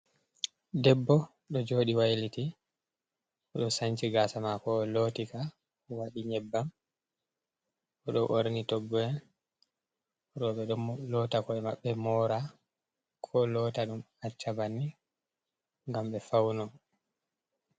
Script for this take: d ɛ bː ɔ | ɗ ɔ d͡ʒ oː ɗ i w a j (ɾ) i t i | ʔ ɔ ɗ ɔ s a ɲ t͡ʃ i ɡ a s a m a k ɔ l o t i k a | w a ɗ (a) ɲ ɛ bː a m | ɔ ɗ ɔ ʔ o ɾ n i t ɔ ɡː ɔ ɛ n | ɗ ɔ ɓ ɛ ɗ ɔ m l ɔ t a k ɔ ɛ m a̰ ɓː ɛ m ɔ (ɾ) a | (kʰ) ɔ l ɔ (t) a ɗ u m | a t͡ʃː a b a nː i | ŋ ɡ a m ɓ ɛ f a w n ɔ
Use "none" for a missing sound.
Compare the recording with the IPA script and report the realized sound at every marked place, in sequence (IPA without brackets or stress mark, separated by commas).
l, i, ɾ, kʰ, t